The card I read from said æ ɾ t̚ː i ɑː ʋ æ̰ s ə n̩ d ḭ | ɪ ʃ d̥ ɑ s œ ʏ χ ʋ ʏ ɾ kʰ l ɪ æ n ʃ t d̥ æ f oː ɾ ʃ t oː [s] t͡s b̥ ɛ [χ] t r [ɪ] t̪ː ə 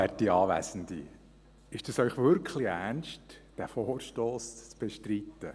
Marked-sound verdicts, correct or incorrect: correct, incorrect: ʃ, incorrect: i

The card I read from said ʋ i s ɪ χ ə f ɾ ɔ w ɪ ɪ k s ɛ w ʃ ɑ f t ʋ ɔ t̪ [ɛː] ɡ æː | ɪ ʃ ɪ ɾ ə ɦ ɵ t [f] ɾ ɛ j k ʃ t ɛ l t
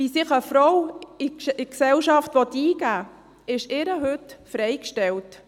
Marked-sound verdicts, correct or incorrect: incorrect: iː, correct

